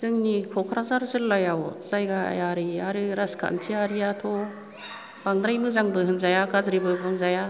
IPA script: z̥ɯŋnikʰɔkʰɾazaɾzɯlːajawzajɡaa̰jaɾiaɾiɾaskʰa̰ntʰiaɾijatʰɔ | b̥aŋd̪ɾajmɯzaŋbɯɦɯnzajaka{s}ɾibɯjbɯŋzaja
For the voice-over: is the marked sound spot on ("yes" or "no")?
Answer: no